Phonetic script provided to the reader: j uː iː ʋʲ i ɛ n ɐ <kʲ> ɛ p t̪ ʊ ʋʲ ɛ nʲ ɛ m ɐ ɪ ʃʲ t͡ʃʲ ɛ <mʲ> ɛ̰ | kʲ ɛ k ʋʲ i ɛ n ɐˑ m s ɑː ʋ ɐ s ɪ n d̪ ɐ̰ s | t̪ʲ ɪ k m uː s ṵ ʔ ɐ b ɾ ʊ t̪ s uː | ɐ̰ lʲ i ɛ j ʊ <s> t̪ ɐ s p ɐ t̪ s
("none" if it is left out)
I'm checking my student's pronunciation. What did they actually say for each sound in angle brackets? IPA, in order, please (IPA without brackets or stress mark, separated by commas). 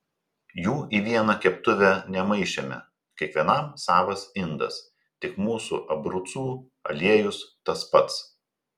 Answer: kʲ, mʲ, s